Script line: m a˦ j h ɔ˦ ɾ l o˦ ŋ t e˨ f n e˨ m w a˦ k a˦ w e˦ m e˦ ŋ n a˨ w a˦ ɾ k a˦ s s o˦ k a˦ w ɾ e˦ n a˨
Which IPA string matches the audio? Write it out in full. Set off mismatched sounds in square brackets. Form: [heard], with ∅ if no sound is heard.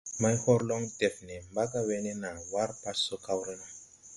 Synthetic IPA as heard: m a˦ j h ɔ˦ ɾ l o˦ ŋ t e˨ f n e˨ m [b] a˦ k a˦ w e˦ [n] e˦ [∅] n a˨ w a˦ ɾ [p] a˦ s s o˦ k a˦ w ɾ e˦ n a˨

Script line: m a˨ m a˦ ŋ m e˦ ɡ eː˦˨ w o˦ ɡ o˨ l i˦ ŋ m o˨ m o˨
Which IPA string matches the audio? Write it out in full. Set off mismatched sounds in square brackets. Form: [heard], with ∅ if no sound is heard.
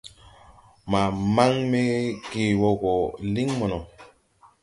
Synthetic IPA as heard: m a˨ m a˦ ŋ m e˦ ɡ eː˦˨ w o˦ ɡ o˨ l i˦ ŋ m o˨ [n] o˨

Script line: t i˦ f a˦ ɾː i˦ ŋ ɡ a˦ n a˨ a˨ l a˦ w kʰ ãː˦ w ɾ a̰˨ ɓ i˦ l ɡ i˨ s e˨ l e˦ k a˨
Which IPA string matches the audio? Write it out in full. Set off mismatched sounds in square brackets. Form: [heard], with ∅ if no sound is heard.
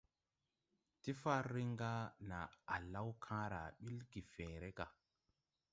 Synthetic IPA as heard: t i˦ f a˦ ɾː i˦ ŋ ɡ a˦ n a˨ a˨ l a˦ w kʰ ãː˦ [∅] ɾ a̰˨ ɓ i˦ l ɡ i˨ [f] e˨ [ɾ] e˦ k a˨

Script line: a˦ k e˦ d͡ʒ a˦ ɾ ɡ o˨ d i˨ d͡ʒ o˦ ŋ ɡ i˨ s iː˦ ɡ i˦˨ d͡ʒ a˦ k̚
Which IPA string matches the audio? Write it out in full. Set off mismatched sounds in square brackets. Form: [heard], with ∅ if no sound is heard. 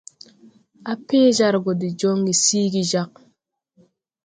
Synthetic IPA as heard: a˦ [p] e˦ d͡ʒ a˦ ɾ ɡ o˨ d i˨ d͡ʒ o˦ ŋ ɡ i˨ s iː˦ ɡ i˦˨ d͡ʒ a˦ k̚

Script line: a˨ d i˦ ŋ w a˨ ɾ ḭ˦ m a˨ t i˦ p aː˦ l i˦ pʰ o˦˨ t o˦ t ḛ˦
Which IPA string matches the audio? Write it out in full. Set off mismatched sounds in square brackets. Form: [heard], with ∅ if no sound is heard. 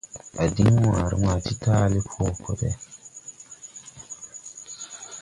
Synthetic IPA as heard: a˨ d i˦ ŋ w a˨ ɾ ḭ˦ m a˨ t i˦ [t] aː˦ l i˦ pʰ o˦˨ [k] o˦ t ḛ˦

